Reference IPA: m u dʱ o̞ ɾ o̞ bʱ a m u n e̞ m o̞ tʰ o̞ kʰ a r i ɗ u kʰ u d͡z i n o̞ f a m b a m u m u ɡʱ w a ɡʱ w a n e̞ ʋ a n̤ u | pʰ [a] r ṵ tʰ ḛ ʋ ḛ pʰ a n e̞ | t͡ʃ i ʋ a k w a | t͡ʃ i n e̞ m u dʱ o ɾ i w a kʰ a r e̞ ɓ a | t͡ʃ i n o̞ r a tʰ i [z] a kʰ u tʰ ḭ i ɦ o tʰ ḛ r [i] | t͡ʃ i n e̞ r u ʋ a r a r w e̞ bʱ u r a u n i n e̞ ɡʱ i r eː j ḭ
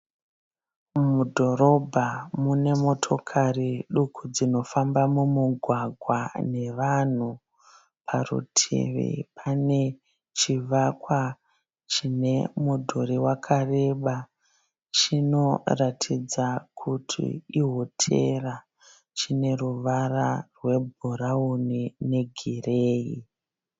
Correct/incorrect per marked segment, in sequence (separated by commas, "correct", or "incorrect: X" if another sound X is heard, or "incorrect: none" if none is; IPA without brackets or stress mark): correct, incorrect: d͡z, incorrect: a